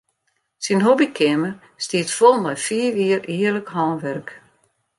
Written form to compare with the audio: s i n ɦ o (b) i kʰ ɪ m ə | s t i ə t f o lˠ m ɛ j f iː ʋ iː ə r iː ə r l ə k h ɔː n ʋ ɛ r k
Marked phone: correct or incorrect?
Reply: correct